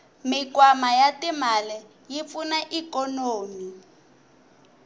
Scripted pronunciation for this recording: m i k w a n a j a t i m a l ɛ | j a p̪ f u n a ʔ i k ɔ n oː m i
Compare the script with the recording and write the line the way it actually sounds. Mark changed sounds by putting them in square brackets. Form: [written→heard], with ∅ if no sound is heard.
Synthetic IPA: m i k w a [n→m] a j a t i m a l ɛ | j [a→i] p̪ f u n a ʔ i k ɔ n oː m i